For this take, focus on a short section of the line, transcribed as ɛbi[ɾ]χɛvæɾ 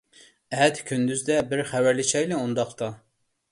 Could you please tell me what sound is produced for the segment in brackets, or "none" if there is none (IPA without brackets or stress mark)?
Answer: ɾ